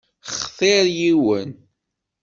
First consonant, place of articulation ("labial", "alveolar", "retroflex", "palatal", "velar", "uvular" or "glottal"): uvular